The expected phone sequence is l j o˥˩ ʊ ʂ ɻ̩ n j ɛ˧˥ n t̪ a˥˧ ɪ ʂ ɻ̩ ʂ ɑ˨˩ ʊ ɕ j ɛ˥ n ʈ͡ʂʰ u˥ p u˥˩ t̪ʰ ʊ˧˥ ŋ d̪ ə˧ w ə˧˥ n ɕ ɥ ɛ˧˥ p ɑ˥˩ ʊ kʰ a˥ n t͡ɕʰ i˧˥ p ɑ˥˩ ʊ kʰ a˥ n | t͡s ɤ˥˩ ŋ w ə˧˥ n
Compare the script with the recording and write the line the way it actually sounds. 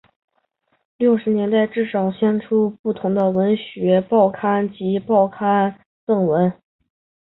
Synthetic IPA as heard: l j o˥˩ ʊ ʂ ɻ̩ n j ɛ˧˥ n t̪ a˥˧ ɪ ʈ͡ʂ ɻ̩ ʂ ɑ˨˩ ʊ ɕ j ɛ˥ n ʈ͡ʂʰ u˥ p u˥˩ t̪ʰ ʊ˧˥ ŋ d̪ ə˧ w ə˧˥ n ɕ ɥ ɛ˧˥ p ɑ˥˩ ʊ kʰ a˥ n t͡ɕ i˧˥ p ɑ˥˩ ʊ kʰ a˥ n | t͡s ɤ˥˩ ŋ w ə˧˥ n